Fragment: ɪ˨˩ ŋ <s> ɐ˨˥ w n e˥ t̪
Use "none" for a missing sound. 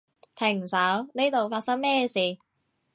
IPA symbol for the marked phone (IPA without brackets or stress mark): s